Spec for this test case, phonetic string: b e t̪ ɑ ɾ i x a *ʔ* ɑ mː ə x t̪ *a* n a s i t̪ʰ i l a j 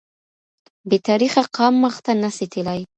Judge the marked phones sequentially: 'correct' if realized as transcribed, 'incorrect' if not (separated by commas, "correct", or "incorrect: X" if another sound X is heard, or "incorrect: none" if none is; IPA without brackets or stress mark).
incorrect: q, correct